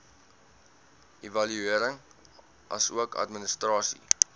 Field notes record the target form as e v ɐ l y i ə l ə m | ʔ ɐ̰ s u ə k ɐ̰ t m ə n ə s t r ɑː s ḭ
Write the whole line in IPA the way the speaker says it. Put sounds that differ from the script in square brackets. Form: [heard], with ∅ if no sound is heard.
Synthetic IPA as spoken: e v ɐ l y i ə [ɾ] ə [ŋ] | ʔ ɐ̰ s u ə k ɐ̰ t m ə n ə s t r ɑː s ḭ